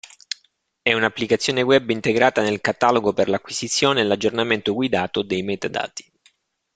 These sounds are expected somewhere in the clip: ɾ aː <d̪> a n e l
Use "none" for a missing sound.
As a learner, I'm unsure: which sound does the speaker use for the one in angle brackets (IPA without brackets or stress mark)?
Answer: t̪